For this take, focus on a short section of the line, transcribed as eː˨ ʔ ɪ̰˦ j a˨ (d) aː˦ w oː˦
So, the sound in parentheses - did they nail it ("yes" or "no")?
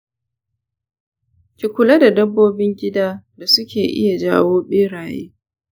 no